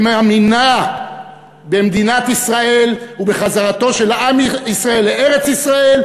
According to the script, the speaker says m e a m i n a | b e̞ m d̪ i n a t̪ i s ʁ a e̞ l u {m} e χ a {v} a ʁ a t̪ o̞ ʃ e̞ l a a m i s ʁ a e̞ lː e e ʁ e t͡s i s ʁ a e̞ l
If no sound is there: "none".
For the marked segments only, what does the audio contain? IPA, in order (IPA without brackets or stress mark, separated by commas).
b, z